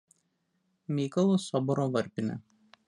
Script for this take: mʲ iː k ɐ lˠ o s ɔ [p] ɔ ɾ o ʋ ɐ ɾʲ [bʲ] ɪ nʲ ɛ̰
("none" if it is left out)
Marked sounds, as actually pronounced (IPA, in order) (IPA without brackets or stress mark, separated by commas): b, pʲ